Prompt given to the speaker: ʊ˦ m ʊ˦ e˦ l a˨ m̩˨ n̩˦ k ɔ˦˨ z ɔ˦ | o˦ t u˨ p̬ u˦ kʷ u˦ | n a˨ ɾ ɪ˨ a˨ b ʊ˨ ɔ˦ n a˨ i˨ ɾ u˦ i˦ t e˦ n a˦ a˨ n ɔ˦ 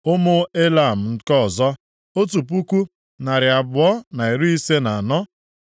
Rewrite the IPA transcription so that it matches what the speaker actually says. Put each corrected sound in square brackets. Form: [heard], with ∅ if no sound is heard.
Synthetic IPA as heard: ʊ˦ m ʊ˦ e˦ l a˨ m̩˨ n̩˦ k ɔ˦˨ z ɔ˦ | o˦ t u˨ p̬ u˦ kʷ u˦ | n a˨ ɾ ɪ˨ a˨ b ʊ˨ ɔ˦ n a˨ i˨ ɾ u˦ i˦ [s] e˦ n [a˨] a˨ n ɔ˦